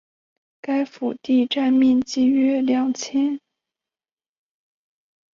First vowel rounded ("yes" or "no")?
no